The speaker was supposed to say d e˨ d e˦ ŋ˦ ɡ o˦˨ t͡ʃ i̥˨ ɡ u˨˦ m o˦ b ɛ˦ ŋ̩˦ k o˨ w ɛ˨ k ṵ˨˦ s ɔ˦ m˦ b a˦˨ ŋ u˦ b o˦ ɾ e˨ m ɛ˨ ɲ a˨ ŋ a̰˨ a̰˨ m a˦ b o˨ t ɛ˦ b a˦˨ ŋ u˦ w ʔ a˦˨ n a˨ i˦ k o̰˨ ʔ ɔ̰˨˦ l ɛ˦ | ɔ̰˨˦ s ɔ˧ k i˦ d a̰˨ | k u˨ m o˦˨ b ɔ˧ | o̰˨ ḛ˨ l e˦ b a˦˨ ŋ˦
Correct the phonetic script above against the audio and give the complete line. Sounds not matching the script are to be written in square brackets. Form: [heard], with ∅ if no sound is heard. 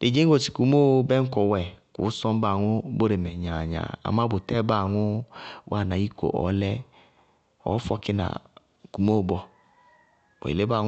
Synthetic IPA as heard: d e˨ [d͡ʒ] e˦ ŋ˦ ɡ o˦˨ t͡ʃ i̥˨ [k] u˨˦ m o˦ b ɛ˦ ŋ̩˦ k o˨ w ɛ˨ k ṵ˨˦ s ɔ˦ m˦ b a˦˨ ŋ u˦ b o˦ ɾ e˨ m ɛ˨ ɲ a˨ [ɲ] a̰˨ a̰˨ m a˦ b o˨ t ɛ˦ b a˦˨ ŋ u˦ w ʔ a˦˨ n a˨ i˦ k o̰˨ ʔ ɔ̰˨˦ l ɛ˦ | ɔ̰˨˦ [f] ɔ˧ k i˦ [n] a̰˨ | k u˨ m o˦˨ b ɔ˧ | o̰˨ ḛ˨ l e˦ b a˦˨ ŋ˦